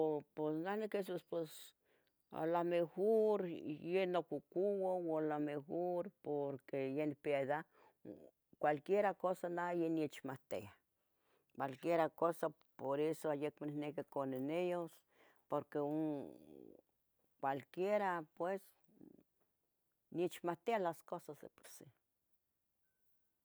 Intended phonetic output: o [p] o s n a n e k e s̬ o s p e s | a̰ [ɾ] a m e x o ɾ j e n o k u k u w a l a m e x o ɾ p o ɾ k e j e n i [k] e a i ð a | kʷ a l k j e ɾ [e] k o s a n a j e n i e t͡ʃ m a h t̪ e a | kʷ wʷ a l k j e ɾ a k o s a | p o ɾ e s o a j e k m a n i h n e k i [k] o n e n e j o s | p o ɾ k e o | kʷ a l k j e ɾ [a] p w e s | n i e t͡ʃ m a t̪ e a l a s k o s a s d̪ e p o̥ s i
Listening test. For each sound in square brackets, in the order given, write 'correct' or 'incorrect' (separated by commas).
correct, incorrect, incorrect, incorrect, correct, correct